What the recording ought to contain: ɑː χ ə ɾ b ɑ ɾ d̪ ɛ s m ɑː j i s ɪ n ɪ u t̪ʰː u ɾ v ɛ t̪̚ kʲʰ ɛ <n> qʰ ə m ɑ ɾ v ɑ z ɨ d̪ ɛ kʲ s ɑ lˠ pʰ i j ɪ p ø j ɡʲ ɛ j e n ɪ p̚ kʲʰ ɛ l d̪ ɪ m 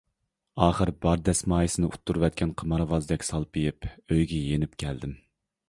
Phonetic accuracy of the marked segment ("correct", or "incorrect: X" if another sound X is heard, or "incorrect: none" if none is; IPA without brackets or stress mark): correct